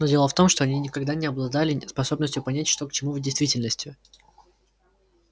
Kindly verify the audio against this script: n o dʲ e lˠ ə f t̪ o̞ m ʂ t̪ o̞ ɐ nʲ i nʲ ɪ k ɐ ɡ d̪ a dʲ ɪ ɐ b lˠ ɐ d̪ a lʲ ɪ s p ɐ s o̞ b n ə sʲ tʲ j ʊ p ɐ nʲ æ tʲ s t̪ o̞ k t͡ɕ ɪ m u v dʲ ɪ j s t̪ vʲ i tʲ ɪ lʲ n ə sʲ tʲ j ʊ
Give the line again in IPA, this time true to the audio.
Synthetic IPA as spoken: n o dʲ e lˠ ə f t̪ o̞ m ʂ t̪ o̞ ɐ nʲ i nʲ ɪ k ɐ ɡ d̪ a nʲ ɪ ɐ b lˠ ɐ d̪ a lʲ ɪ s p ɐ s o̞ b n ə sʲ tʲ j ʊ p ɐ nʲ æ tʲ ʂ t̪ o̞ k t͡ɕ ɪ m u v dʲ ɪ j s t̪ vʲ i tʲ ɪ lʲ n ə sʲ tʲ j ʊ